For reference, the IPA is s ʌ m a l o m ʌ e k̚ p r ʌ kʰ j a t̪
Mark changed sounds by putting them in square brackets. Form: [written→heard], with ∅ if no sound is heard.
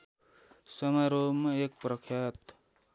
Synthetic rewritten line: s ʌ m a [l→ɾ] o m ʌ e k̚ p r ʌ kʰ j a t̪

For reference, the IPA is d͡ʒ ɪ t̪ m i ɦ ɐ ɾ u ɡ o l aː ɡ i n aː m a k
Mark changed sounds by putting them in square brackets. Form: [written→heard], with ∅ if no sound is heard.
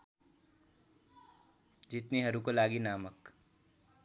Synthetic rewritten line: d͡ʒ ɪ t̪ [m→n] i ɦ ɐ ɾ u [ɡ→k] o l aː ɡ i n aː m [a→ə] k

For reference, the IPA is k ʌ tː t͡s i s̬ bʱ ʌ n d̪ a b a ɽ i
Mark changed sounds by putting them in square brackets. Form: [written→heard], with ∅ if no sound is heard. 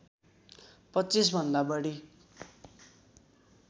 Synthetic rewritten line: [k→p] ʌ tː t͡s i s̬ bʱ ʌ n d̪ a b [a→ʌ] ɽ i

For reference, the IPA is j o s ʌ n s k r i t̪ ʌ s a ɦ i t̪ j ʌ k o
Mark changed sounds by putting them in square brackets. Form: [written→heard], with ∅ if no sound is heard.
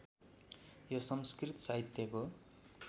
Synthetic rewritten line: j o s ʌ [n→m] s k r i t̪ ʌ s a ɦ i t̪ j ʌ k o

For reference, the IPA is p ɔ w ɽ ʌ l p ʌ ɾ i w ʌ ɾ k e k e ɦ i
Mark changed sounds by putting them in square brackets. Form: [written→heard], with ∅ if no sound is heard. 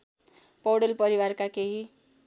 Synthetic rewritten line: p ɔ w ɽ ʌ l p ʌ ɾ i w [ʌ→a] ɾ k [e→a] k e ɦ i

